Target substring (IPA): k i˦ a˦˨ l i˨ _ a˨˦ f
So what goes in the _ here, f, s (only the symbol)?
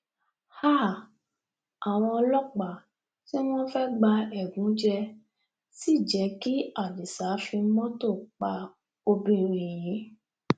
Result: s